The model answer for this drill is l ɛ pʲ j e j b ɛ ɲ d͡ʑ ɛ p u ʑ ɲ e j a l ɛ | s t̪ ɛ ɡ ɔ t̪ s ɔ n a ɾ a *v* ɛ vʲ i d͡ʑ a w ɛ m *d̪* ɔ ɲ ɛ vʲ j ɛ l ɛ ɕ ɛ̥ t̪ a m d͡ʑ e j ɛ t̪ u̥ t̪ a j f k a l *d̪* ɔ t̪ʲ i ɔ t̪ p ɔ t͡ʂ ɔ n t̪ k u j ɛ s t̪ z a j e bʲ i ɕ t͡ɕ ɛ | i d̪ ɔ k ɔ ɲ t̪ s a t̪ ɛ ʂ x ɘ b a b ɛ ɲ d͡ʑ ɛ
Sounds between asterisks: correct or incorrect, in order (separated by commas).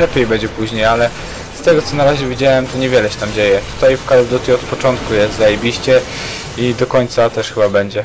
incorrect, incorrect, correct